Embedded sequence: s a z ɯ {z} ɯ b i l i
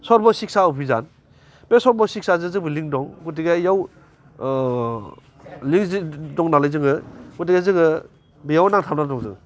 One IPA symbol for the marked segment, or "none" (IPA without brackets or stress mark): z